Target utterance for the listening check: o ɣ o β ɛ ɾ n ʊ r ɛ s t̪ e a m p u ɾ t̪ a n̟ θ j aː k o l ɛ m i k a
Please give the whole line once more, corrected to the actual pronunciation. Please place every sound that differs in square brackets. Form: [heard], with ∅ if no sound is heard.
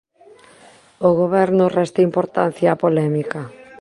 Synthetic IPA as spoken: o ɣ o β ɛ ɾ n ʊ r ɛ s t̪ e [i] m p [o] ɾ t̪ a n̟ θ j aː [p] o l ɛ m i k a